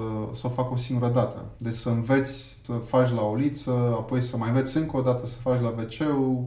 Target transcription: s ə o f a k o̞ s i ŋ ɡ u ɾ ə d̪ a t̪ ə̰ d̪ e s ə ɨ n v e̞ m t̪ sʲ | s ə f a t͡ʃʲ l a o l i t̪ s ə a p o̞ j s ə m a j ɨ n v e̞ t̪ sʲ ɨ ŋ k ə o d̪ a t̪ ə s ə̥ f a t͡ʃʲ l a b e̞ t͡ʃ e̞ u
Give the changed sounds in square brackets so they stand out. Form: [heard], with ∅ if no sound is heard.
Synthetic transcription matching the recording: s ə o f a k o̞ s i ŋ ɡ u ɾ ə d̪ a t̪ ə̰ d̪ e s ə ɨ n v e̞ [∅] t̪ sʲ | s ə f a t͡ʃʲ l a o l i t̪ s ə a p o̞ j s ə m a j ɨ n v e̞ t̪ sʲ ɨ ŋ k ə o d̪ a t̪ ə s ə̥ f a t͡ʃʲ l a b e̞ t͡ʃ e̞ u